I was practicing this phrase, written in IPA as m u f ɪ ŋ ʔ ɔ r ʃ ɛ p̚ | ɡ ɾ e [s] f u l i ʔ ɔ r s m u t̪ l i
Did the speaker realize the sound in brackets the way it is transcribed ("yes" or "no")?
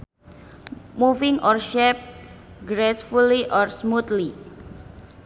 yes